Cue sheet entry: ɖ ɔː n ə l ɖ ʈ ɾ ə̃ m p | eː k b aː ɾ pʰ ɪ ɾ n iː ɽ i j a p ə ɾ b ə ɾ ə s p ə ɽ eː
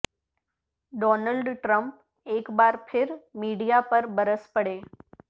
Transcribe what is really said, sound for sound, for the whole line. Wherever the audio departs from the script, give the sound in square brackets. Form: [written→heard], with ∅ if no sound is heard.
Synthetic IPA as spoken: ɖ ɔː n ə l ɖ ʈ ɾ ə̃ m p | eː k b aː ɾ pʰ ɪ ɾ [n→m] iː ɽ i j a p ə ɾ b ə ɾ ə s p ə ɽ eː